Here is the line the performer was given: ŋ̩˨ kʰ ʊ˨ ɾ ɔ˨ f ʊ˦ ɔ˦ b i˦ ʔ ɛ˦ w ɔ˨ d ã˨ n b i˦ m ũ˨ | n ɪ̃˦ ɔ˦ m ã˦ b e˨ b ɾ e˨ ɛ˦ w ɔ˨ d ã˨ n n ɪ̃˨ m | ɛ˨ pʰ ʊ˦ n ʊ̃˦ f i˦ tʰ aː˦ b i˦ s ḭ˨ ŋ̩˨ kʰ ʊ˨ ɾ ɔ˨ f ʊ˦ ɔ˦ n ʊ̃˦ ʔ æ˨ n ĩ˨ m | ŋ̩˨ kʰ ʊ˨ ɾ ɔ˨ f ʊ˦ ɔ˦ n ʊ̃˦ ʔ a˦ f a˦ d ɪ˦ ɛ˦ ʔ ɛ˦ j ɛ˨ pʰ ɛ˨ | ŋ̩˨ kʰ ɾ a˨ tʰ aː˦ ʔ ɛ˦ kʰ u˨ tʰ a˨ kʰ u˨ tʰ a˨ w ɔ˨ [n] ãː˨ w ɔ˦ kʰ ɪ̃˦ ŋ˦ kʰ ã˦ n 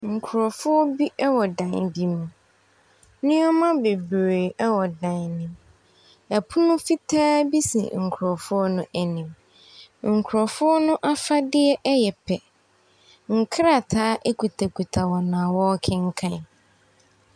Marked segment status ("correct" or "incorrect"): correct